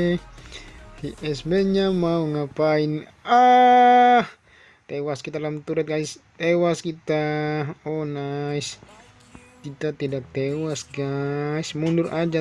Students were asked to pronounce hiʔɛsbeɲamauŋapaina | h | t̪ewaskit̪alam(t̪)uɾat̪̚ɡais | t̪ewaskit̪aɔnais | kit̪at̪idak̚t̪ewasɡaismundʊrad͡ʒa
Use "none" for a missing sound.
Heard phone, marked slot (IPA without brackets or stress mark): t̪